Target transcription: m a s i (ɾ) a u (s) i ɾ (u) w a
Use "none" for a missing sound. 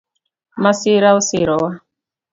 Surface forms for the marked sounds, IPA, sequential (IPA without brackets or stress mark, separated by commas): ɾ, s, ɔ